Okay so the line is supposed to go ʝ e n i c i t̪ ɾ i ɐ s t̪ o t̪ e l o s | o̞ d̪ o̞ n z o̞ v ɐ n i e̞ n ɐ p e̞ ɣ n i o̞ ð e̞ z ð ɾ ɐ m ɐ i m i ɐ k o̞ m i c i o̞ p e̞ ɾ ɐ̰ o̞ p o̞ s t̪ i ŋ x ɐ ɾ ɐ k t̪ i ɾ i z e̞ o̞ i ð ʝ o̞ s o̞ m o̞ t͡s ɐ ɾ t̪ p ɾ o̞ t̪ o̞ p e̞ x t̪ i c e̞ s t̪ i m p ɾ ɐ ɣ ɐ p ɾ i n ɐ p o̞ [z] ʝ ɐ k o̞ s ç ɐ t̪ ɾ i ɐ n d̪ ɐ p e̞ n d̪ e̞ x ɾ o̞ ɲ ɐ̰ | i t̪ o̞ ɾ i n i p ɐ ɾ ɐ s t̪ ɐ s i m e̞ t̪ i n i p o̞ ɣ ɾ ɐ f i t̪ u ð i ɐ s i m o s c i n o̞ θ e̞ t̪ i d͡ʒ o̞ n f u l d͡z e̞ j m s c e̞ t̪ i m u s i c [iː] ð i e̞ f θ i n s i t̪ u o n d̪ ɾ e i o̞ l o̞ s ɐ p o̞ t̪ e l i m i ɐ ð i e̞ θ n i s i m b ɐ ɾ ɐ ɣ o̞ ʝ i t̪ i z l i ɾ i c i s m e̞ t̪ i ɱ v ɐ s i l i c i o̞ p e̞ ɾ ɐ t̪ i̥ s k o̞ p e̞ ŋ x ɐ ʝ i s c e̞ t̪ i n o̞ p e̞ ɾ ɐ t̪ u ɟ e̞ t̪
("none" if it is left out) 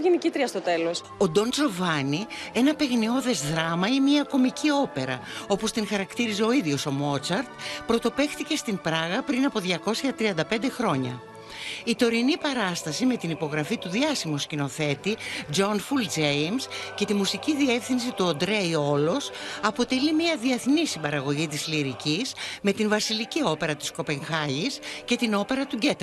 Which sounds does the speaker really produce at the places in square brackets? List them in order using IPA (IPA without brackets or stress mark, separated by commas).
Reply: ð, i